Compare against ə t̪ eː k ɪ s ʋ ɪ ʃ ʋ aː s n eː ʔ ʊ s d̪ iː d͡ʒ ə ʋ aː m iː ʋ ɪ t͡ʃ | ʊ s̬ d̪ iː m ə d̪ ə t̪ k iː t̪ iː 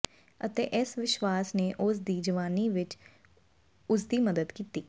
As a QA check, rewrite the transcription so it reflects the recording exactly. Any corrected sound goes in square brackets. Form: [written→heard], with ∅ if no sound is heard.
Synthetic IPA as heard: ə t̪ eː [k→ʔ] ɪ s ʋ ɪ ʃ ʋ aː s n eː ʔ ʊ s d̪ iː d͡ʒ ə ʋ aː [m→n] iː ʋ ɪ t͡ʃ | ʊ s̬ d̪ iː m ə d̪ ə [t̪→d̪] k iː t̪ iː